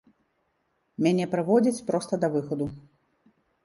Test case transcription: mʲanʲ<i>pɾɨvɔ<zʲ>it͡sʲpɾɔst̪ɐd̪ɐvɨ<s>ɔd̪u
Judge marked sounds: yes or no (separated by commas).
no, no, no